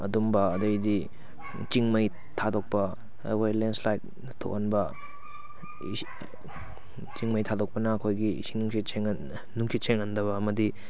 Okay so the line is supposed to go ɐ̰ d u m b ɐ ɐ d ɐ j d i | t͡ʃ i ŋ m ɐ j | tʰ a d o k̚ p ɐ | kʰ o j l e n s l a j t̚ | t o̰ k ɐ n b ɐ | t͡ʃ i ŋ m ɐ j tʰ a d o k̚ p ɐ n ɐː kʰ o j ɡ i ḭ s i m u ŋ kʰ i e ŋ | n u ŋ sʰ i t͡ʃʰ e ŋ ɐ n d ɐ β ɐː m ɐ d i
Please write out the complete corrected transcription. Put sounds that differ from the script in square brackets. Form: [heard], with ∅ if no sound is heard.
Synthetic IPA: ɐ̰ d u m b ɐ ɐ d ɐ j d i | t͡ʃ i ŋ m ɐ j | tʰ a d o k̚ p ɐ | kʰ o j l e n s l a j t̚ | [tʰ] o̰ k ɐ n b ɐ | t͡ʃ i ŋ m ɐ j tʰ a d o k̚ p ɐ n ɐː kʰ o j ɡ i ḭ s i [n] u ŋ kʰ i e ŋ | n u ŋ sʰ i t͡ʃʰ e ŋ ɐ n d ɐ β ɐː m ɐ d i